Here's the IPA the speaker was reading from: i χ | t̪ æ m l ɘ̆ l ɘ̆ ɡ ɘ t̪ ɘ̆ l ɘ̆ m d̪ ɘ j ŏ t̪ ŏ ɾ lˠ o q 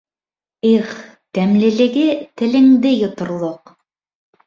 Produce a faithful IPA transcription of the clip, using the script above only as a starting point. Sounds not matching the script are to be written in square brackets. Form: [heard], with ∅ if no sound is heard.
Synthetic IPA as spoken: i χ | t̪ æ m l ɘ̆ l ɘ̆ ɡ ɘ t̪ ɘ̆ l ɘ̆ [ŋ] d̪ ɘ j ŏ t̪ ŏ ɾ lˠ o q